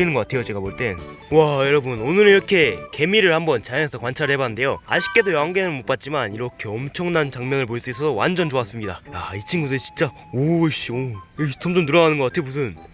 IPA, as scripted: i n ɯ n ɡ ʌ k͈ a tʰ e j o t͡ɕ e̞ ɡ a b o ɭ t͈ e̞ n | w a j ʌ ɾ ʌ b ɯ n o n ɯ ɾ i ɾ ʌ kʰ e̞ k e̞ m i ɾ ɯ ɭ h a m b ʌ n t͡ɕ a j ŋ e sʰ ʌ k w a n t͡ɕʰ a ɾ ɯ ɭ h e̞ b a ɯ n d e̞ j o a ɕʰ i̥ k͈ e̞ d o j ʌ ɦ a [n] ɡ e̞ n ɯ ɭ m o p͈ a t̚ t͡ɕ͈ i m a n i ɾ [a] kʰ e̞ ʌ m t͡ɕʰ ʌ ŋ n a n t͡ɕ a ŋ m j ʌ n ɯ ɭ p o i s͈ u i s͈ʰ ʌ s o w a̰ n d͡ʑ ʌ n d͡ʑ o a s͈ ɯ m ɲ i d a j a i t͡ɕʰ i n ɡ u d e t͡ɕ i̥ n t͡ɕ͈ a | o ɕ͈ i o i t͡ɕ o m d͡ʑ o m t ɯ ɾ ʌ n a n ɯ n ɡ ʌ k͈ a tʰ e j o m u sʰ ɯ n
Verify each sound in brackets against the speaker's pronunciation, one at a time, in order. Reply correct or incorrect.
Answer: incorrect: ŋ, incorrect: ʌ

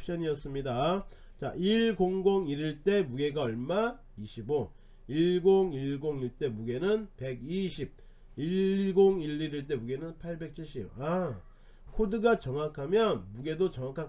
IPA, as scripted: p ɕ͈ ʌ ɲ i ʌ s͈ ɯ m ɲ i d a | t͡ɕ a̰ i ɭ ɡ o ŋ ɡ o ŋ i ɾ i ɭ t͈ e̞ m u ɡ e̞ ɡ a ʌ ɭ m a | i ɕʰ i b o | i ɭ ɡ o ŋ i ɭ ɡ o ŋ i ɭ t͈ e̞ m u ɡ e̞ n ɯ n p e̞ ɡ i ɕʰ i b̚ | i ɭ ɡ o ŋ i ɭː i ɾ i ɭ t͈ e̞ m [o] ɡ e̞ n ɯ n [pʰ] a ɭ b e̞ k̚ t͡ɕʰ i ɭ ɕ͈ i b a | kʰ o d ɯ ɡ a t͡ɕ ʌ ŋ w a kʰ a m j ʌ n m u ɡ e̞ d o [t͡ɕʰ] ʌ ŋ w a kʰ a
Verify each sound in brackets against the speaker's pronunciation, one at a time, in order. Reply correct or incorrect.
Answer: incorrect: u, correct, incorrect: t͡ɕ

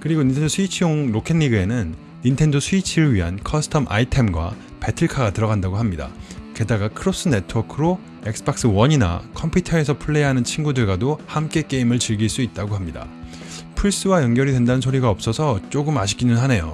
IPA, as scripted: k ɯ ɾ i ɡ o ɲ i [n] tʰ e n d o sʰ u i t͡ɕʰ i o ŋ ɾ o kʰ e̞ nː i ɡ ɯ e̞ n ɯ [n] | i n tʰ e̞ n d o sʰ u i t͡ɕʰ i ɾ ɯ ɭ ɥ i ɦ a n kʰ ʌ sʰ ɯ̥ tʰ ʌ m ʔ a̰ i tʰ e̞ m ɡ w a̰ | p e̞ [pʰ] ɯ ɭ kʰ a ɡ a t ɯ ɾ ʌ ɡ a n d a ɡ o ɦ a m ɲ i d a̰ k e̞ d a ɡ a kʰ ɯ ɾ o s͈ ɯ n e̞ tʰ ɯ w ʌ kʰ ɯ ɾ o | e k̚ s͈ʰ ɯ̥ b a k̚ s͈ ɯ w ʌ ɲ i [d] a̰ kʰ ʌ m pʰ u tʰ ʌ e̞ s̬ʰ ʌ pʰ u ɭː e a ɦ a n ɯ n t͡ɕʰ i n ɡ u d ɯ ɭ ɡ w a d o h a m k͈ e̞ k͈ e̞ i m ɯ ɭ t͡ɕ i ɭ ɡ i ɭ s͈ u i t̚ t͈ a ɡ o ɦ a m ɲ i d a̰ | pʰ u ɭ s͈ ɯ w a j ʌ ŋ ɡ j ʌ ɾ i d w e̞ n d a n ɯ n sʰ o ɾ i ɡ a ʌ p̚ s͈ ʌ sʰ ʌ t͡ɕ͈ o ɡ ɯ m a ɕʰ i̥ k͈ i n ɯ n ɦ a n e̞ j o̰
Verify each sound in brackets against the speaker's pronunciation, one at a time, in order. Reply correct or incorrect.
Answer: correct, incorrect: nː, incorrect: tʰ, incorrect: n

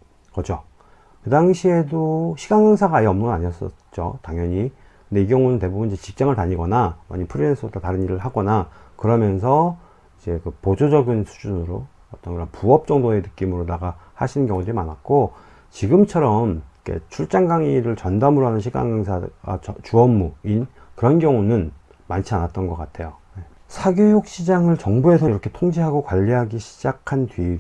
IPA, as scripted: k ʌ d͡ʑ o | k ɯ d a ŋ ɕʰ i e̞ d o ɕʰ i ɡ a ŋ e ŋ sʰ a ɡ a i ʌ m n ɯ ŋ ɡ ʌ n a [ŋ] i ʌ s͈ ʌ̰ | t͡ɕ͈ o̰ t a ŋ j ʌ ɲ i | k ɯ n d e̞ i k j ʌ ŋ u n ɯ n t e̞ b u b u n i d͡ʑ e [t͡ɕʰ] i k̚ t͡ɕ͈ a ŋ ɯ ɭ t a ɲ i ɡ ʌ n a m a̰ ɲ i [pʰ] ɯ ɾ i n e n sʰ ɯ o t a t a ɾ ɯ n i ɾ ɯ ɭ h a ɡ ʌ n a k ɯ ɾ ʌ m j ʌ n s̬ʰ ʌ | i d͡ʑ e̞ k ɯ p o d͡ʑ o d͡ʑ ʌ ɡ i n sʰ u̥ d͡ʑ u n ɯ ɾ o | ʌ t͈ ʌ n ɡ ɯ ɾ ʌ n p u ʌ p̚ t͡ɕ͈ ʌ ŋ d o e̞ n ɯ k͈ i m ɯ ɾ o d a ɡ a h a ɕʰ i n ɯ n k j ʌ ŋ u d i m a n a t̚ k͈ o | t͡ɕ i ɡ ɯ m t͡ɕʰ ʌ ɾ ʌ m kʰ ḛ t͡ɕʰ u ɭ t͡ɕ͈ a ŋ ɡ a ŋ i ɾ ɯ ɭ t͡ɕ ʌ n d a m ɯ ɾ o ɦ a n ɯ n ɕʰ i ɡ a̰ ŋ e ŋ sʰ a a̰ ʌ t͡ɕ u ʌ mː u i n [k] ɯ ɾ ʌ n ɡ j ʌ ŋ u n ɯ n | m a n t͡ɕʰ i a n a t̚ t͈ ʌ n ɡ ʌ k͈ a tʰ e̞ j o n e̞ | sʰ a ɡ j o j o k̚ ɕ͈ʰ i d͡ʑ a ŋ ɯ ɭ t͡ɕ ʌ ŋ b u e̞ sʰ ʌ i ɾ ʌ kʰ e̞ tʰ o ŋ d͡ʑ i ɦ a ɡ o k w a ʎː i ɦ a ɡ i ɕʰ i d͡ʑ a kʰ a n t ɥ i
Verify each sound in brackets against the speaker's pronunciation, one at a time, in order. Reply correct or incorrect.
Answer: incorrect: ɲ, incorrect: t͡ɕ, correct, correct

